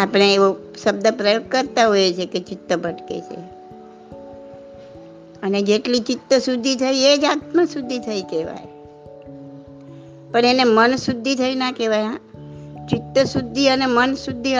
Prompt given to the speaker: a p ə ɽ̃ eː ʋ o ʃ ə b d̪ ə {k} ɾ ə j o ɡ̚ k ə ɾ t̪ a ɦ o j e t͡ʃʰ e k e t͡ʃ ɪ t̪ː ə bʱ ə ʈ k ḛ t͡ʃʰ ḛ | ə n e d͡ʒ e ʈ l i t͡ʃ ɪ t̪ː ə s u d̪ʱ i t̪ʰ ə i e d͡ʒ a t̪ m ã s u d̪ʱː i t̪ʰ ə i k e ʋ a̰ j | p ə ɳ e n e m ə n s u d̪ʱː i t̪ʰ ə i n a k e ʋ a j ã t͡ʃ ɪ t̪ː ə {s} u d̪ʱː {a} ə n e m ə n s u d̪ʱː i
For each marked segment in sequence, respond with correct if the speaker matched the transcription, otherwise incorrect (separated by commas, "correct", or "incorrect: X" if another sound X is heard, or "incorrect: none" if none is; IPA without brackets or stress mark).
incorrect: p, correct, incorrect: i